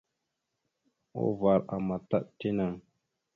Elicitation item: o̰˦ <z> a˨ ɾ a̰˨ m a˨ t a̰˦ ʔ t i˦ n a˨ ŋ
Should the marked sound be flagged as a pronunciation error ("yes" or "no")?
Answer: yes